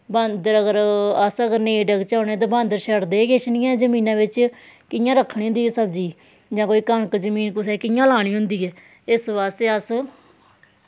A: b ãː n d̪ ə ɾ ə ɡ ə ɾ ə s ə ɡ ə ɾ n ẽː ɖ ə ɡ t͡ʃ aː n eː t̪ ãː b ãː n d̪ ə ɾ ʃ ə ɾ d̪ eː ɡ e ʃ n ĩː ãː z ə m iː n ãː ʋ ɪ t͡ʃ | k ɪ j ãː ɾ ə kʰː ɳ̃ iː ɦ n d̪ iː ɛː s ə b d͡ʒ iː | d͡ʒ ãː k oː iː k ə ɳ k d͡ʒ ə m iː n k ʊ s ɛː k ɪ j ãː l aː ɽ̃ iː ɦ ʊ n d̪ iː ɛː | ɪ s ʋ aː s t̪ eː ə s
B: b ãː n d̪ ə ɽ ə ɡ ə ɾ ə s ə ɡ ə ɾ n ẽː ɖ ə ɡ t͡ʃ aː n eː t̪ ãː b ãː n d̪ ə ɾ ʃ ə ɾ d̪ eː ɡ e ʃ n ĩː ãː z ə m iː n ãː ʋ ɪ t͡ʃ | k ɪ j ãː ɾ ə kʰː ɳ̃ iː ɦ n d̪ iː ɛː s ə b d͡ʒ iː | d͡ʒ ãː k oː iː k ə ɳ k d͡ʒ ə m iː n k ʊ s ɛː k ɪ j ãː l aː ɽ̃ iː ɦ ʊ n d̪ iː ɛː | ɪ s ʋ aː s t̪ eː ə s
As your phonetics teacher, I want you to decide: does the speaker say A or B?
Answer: A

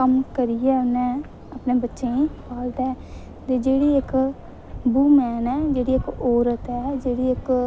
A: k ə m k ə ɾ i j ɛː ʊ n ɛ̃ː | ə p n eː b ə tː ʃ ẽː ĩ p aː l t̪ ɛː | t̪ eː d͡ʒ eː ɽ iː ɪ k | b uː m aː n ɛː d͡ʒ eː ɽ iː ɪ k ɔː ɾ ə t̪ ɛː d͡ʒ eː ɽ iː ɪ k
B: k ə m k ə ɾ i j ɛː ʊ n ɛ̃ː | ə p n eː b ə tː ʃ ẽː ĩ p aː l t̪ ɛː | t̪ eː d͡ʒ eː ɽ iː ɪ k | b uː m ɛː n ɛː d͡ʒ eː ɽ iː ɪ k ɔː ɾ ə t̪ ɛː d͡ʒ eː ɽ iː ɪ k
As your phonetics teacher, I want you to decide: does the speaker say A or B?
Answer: B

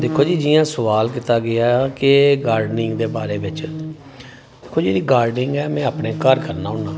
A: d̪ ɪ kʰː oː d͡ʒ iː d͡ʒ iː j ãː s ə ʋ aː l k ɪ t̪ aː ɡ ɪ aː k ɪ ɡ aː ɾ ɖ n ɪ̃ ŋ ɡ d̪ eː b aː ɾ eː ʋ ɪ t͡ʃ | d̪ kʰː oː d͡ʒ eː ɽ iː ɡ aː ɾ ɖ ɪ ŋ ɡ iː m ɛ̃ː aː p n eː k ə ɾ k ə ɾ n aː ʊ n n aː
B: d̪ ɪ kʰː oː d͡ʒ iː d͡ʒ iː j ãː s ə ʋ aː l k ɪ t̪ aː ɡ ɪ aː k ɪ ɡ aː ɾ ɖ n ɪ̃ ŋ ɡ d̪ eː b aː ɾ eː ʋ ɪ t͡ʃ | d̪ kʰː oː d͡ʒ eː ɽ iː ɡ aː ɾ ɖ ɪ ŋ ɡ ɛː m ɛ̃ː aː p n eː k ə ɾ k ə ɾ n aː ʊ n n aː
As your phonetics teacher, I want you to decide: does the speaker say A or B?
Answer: B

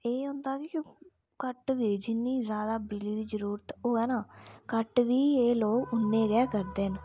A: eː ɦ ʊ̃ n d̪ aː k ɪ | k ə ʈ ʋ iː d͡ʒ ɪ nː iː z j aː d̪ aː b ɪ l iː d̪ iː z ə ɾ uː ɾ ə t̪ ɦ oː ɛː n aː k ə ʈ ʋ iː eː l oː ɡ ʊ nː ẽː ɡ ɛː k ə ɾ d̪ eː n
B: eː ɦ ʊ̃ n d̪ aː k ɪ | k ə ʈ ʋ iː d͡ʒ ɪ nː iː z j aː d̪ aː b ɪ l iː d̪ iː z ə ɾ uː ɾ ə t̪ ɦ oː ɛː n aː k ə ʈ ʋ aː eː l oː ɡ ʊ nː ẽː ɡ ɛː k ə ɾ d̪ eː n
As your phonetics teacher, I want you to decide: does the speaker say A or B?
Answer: A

